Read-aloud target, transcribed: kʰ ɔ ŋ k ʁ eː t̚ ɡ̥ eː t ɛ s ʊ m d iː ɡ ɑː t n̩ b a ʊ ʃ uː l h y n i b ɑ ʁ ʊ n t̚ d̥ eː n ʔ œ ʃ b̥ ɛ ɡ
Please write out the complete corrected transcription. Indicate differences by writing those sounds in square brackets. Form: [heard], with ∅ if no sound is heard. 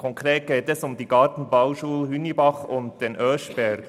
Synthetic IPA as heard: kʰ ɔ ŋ k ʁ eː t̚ ɡ̥ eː t ɛ s ʊ m d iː ɡ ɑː t n̩ b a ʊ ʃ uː l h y n i b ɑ [χ] ʊ n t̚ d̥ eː n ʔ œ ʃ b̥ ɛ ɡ